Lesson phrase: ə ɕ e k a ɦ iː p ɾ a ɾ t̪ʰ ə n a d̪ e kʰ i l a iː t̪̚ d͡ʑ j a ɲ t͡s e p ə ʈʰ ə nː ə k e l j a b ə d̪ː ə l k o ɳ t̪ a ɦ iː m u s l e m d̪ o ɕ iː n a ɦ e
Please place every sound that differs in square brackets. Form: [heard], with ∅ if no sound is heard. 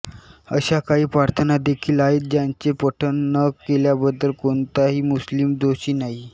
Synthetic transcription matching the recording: ə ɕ [a] k a ɦ iː p ɾ a ɾ t̪ʰ ə n a d̪ e kʰ [iː] l a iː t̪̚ d͡ʑ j a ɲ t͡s e p ə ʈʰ ə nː ə k e l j a b ə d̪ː ə l k o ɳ t̪ a ɦ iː m u s l [i] m d̪ o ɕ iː n a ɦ [i]